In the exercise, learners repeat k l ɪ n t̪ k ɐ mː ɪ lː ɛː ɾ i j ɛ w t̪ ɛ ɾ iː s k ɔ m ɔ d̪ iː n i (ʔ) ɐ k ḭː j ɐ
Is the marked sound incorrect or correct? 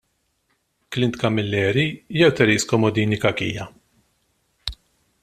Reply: incorrect